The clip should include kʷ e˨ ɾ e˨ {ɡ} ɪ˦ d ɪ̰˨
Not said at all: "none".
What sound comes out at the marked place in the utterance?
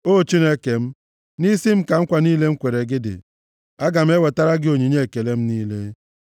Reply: ɡ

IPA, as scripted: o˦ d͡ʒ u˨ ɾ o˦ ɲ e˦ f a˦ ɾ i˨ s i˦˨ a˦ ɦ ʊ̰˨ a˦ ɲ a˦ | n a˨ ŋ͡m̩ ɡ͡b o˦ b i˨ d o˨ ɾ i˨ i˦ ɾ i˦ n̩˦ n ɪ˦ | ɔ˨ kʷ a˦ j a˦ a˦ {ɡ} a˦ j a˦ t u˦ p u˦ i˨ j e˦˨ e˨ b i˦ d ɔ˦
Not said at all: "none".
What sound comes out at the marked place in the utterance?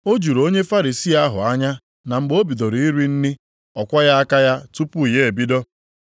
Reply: k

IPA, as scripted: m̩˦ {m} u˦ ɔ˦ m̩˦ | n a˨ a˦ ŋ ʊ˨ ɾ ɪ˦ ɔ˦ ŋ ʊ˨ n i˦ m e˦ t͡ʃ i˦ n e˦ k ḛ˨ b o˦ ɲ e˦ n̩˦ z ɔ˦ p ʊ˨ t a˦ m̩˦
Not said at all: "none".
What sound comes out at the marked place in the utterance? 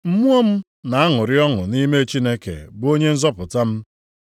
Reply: m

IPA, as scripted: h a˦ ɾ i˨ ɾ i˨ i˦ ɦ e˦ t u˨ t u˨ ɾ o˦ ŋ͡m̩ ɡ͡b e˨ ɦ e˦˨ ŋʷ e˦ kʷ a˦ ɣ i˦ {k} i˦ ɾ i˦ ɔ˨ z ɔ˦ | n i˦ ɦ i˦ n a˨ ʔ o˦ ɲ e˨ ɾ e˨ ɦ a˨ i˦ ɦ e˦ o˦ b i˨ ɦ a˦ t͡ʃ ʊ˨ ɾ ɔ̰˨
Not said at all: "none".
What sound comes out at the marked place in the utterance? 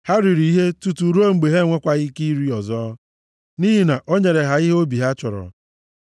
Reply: k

